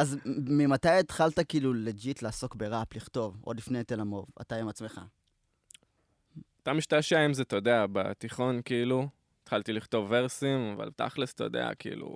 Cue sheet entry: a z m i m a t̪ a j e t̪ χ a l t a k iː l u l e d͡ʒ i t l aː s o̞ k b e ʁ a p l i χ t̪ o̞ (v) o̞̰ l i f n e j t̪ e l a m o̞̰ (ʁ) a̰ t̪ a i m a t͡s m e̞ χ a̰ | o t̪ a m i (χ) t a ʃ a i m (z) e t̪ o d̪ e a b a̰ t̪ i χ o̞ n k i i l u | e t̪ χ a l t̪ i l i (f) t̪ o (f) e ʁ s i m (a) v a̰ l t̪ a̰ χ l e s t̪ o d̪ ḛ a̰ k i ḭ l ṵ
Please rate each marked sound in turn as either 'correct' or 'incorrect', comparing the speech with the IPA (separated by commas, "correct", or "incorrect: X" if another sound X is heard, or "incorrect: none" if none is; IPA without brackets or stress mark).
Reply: correct, incorrect: v, incorrect: ʃ, correct, incorrect: χ, incorrect: v, correct